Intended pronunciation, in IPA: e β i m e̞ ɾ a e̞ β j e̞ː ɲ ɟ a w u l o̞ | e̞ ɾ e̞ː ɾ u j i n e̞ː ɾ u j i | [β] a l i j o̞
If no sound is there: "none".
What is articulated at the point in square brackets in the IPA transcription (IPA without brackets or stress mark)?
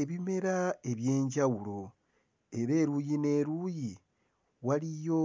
w